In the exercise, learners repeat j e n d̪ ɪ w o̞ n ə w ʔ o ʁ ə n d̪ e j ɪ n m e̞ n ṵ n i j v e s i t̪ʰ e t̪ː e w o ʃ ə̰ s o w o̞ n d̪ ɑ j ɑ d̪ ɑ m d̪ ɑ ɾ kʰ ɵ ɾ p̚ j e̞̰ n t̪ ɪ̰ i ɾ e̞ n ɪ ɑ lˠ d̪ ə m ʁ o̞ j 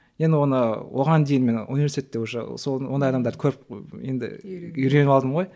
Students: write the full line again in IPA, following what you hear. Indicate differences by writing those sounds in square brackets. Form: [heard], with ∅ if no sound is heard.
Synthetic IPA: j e n d̪ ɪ w o̞ n ə w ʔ o ʁ [ɑ] n d̪ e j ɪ n m e̞ n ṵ n i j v e s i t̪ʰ e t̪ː e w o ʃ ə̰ s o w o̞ n d̪ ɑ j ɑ d̪ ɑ m d̪ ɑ ɾ kʰ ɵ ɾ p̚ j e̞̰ n [d̪] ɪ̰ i ɾ e̞ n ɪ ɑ lˠ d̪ ə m ʁ o̞ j